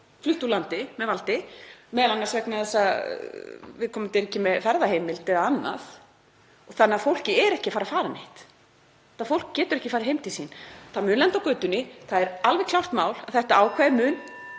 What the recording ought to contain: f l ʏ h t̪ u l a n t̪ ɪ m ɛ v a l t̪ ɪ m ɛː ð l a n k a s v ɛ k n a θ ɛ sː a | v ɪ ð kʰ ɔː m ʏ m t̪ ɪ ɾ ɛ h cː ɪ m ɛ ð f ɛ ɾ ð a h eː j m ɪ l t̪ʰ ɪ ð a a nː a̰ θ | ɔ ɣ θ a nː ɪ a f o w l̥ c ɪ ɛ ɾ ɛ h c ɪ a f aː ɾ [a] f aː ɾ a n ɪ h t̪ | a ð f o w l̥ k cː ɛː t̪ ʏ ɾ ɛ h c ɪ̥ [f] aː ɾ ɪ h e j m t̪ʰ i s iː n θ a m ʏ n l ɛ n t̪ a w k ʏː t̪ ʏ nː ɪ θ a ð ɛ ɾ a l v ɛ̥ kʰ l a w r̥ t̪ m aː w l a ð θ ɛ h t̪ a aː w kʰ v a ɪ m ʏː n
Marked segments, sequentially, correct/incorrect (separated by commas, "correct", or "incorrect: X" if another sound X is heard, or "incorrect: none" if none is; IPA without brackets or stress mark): correct, correct